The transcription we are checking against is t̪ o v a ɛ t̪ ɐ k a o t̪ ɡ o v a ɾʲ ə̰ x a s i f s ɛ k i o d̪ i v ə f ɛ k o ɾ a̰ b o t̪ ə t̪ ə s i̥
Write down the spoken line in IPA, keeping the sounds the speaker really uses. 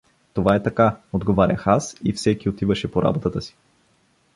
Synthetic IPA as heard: t̪ o v a ɛ t̪ ɐ k a o d̪ ɡ o v a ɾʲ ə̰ x a s i f s ɛ k i o t̪ i v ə ʃ ɛ p o ɾ a̰ b o t̪ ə t̪ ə s i̥

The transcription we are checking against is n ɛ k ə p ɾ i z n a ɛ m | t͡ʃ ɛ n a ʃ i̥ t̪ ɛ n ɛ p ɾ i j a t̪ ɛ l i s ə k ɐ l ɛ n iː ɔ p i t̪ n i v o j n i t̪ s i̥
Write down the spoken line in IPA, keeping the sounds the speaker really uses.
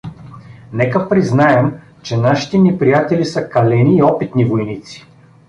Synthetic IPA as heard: n ɛ k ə p ɾ i z n a ɛ m | t͡ʃ ɛ n a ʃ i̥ t̪ ɛ n ɛ p ɾ i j a t̪ ɛ l i s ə k ɐ l ɛ n iː ɔ p i t̪ n i v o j n i t̪ s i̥

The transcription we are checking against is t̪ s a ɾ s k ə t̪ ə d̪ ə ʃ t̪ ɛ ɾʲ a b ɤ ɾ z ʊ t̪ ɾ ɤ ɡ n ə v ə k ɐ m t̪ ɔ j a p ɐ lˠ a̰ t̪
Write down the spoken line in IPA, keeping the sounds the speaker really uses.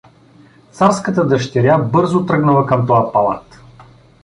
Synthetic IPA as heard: t̪ s a ɾ s k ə t̪ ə d̪ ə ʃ t̪ ɛ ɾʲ a b ɤ ɾ z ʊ t̪ ɾ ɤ ɡ n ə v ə k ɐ m t̪ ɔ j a p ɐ lˠ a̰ t̪

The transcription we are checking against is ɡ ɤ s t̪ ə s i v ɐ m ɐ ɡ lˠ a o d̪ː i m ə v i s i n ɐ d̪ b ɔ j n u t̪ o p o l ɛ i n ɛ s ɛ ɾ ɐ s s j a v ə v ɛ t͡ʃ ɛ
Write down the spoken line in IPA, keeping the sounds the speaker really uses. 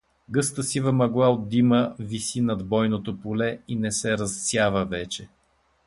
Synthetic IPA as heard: ɡ ɤ s t̪ ə s i v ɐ m ɐ ɡ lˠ a o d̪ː i m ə v i s i n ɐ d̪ b ɔ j n o t̪ o p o l ɛ i n ɛ s ɛ ɾ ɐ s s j a v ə v ɛ t͡ʃ ɛ

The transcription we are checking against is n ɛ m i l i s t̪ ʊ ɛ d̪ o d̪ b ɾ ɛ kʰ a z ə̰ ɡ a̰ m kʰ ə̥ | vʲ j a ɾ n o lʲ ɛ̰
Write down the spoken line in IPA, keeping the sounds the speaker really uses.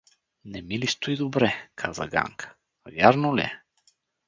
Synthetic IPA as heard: n ɛ m i l i s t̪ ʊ i d̪ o b ɾ ɛ kʰ a z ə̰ ɡ a̰ ŋ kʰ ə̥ | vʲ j a ɾ n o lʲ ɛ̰

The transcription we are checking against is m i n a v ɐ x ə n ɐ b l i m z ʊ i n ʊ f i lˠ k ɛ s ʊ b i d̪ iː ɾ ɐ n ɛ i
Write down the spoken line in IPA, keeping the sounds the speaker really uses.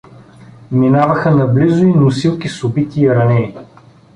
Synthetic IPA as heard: m i n a v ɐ x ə n ɐ b l i z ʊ i n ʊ s i lˠ k i s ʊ b i t̪ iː ɾ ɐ n ɛ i

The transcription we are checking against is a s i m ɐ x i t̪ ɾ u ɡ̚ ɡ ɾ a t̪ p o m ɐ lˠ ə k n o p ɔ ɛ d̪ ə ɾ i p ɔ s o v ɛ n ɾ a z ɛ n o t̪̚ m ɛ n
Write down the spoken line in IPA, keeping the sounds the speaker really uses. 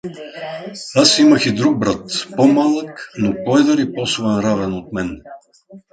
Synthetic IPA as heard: a s i m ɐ x i d̪ ɾ u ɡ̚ b ɾ a t̪ p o m a lˠ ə k n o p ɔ ɛ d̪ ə ɾ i p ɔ s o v ɛ n ɾ a v ɛ n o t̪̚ m ɛ n

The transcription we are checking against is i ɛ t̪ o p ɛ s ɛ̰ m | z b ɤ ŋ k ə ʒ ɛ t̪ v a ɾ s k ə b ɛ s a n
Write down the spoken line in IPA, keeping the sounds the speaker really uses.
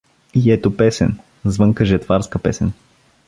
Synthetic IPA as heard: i ɛ t̪ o p ɛ s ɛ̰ n | z v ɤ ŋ k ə ʒ ɛ t̪ v a ɾ s k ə p ɛ s ɛ n

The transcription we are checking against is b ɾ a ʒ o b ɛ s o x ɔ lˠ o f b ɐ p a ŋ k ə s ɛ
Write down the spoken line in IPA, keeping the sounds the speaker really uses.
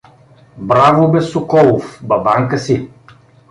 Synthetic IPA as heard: b ɾ a v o b ɛ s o k ɔ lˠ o f b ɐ b a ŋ k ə s i

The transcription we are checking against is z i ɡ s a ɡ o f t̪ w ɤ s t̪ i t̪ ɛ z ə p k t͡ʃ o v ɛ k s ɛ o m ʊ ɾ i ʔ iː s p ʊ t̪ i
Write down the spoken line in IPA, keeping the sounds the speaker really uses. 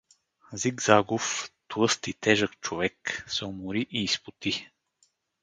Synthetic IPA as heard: z i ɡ z a ɡ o f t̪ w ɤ s t̪ i t̪ ɛ ʒ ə k t͡ʃ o v ɛ k s ɛ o m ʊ ɾ i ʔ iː s p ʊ t̪ i

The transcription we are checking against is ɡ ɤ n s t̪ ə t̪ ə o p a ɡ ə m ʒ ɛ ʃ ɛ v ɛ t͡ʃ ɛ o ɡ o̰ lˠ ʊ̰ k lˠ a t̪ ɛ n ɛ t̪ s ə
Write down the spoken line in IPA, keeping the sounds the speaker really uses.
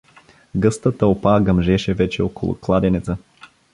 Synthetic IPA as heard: ɡ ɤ s t̪ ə t̪ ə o p a ɡ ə m ʒ ɛ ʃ ɛ v ɛ t͡ʃ ɛ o k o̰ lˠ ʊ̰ k lˠ a d̪ ɛ n ɛ t̪ s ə

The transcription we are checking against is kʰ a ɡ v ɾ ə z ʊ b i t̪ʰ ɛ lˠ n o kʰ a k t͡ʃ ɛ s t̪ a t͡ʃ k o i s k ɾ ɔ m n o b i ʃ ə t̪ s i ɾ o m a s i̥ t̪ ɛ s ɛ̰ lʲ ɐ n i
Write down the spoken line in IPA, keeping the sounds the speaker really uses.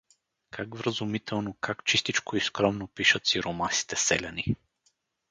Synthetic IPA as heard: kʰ a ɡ v ɾ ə z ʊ m i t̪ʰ ɛ lˠ n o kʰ a k t͡ʃ i s t̪ i t͡ʃ k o i s k ɾ ɔ m n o p i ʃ ə t̪ s i ɾ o m a s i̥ t̪ ɛ s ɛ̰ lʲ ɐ n i

